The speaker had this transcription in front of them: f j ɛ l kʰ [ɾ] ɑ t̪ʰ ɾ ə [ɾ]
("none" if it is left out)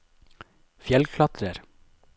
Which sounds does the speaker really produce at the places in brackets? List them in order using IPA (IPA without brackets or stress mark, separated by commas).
l, ɾ